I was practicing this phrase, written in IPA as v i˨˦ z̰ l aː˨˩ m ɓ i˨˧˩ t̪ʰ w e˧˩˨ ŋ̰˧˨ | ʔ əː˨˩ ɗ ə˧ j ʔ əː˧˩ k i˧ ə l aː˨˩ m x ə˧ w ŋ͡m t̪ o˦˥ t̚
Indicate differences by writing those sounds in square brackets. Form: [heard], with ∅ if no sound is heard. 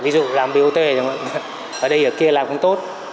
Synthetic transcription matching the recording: v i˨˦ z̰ l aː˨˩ m ɓ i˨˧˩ [t̪] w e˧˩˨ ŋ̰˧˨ | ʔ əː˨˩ ɗ ə˧ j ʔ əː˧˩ k i˧ ə l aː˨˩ m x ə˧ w ŋ͡m t̪ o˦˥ t̚